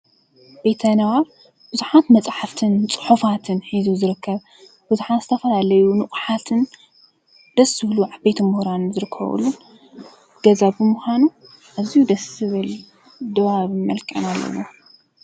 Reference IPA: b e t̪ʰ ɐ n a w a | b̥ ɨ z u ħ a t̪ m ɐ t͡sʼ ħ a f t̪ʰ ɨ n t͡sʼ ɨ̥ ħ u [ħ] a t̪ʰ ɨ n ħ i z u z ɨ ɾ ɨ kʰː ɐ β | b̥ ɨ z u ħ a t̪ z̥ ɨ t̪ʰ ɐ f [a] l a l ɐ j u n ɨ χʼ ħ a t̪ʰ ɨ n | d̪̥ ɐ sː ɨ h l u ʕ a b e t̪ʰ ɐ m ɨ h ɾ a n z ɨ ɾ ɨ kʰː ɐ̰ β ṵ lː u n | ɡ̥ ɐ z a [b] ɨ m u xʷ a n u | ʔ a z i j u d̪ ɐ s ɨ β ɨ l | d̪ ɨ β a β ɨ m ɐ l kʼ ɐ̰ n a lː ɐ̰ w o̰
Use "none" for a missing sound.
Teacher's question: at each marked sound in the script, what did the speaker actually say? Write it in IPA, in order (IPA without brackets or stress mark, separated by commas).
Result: f, ɐ, b